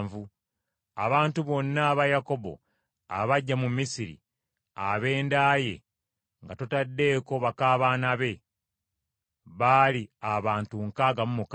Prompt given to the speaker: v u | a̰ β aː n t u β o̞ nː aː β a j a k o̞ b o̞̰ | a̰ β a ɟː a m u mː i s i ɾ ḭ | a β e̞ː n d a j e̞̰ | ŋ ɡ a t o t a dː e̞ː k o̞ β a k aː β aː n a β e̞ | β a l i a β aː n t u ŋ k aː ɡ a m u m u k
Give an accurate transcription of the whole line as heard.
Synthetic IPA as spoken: v u | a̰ β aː n t u β o̞ nː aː β a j a k o̞ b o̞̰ | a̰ β a ɟː a m u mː i s i ɾ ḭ | a β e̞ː n d a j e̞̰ | ŋ ɡ a t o t a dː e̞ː k o̞ β a k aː β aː n a β e̞ | β a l i a β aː n t u ŋ k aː ɡ a m u m u k